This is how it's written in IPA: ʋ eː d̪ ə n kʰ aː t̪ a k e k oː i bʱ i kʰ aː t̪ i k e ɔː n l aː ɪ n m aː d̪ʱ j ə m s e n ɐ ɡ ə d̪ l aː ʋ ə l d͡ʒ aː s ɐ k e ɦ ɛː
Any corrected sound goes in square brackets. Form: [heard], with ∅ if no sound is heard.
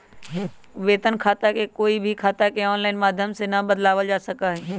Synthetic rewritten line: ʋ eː [t̪] ə n kʰ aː t̪ a k e k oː i bʱ i kʰ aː t̪ [a] k e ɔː n l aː ɪ n m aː d̪ʱ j ə m s e n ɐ [b] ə d̪ l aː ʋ ə l d͡ʒ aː s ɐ k [a] ɦ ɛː